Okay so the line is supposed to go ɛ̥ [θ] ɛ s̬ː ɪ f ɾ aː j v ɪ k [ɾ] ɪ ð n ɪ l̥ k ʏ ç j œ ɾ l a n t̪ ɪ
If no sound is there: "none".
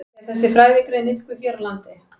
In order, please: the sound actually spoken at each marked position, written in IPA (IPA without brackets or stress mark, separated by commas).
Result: θ, ɾ